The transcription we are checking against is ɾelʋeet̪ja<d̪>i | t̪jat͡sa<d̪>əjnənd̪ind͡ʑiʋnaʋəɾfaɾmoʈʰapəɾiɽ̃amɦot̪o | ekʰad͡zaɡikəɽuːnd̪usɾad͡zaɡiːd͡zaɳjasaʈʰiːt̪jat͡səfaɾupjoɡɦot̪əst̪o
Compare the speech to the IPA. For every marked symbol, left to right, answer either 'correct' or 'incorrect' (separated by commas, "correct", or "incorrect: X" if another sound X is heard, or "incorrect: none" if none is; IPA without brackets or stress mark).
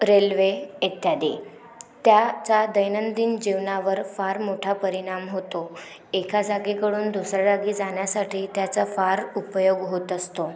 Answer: correct, correct